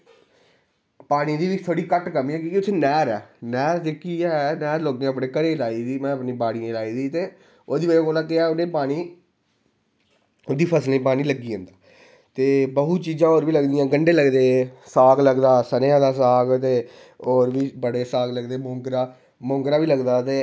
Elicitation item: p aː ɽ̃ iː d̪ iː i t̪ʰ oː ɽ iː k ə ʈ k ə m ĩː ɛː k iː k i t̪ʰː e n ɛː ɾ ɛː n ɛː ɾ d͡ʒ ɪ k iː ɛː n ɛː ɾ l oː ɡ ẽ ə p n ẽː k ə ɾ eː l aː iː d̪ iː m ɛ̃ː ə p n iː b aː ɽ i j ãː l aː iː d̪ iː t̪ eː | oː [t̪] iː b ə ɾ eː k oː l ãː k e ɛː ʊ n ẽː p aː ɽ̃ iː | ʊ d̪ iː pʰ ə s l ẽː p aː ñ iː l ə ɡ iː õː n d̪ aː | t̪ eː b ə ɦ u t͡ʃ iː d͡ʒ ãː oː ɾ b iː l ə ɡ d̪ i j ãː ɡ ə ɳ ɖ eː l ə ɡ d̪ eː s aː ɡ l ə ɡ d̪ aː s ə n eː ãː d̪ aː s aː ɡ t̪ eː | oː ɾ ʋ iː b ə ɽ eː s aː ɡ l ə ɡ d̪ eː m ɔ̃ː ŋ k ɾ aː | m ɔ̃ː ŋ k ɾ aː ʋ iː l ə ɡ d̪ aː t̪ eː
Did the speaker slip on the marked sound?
yes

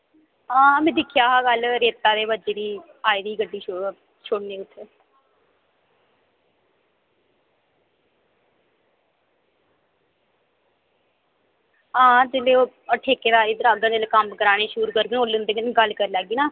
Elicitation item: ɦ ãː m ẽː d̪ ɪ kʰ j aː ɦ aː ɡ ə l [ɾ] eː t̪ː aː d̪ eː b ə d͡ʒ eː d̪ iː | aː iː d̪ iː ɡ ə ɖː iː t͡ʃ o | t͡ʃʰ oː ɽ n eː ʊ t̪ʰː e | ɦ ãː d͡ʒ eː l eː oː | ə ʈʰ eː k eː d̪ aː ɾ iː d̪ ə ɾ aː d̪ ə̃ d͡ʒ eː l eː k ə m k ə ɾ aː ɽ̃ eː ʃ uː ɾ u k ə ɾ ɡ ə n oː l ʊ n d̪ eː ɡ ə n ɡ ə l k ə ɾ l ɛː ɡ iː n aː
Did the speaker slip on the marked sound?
no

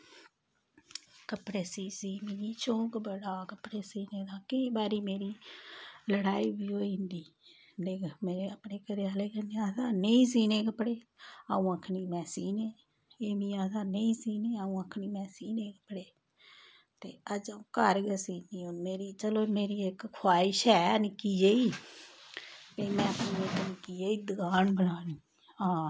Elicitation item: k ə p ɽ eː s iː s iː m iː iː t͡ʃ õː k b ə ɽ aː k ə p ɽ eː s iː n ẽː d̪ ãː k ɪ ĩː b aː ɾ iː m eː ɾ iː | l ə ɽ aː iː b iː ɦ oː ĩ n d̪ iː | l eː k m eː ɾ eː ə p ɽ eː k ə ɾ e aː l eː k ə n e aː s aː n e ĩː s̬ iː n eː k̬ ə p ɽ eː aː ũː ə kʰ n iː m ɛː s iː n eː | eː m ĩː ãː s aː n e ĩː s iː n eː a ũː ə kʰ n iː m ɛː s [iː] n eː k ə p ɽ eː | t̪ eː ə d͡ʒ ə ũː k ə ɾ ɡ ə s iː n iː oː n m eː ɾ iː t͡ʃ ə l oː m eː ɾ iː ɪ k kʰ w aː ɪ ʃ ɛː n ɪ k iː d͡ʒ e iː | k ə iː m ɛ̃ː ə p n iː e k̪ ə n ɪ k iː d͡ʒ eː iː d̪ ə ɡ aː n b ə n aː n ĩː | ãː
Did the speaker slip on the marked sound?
no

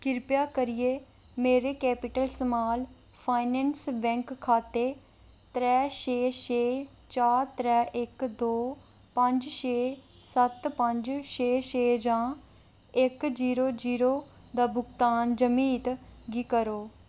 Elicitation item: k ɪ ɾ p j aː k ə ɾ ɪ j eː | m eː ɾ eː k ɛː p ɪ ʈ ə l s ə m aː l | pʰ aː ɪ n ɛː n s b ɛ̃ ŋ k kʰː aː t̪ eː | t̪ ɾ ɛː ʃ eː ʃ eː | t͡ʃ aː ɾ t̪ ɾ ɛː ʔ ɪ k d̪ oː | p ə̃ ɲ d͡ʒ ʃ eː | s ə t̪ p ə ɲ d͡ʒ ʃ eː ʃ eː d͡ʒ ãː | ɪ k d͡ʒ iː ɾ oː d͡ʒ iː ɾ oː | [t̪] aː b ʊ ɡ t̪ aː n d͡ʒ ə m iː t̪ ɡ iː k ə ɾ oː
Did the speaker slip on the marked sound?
yes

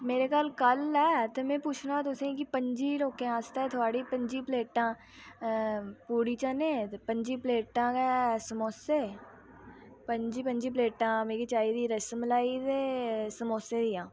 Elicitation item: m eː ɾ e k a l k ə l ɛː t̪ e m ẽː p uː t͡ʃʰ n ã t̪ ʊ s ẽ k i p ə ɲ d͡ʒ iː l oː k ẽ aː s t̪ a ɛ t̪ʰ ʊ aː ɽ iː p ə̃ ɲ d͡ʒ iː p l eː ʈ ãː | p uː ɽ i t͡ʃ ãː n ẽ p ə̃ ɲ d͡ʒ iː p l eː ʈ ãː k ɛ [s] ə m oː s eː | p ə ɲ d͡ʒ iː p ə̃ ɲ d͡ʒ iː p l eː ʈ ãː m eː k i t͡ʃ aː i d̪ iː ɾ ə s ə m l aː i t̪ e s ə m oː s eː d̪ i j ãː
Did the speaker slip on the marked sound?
no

